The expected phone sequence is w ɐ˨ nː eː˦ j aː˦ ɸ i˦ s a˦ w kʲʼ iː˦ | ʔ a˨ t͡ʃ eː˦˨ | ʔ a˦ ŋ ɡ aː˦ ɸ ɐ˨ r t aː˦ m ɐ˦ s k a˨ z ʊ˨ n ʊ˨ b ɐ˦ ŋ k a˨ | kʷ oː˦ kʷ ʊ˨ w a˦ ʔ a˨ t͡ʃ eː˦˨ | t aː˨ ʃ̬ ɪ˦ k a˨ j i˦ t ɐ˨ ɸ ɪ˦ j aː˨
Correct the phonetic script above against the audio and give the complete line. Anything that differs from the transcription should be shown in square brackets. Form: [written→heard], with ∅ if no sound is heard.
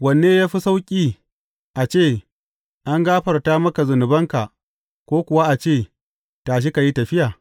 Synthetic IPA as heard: w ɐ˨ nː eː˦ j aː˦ ɸ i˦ s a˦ w kʲʼ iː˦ | ʔ a˨ t͡ʃ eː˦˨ | ʔ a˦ ŋ ɡ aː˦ ɸ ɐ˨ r t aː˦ m ɐ˦ [s→∅] k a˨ z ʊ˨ n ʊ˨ b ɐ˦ ŋ k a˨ | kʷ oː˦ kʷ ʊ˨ w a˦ ʔ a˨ t͡ʃ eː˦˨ | t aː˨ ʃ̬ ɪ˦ k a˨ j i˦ t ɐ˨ ɸ ɪ˦ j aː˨